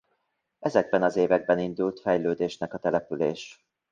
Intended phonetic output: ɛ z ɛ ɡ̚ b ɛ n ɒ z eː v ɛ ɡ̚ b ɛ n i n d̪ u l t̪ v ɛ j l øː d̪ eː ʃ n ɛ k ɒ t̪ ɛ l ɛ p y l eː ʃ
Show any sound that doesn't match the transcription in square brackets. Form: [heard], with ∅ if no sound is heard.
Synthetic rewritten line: ɛ z ɛ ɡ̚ b ɛ n ɒ z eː v ɛ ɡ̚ b ɛ n i n d̪ u l t̪ [f] ɛ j l øː d̪ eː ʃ n ɛ k ɒ t̪ ɛ l ɛ p y l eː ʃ